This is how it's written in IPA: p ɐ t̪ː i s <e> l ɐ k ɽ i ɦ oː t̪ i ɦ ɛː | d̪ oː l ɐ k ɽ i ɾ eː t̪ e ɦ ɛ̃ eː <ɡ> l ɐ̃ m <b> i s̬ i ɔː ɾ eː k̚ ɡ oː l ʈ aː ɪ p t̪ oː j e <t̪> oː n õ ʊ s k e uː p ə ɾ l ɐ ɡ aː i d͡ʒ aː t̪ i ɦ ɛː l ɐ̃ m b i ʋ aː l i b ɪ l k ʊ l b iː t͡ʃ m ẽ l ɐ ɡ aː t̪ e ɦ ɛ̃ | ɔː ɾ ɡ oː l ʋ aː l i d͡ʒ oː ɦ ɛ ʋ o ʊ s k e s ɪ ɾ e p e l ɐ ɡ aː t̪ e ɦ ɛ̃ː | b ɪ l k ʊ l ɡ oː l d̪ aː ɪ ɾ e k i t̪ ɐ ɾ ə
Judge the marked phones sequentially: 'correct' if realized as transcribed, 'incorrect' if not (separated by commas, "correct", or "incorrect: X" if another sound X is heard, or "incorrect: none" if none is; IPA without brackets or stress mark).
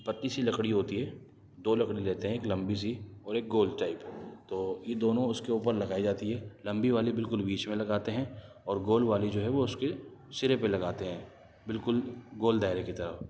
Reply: incorrect: i, incorrect: k, correct, incorrect: d̪